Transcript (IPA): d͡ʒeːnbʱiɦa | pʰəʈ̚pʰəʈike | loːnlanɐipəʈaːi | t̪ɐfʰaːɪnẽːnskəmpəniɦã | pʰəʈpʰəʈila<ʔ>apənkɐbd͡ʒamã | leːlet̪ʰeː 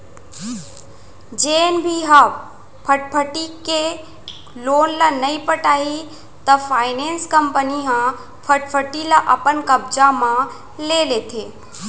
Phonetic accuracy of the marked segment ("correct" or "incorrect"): correct